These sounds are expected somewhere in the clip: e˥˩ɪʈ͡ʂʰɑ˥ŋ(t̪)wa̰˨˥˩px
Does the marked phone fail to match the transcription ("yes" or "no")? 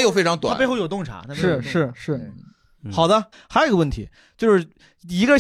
no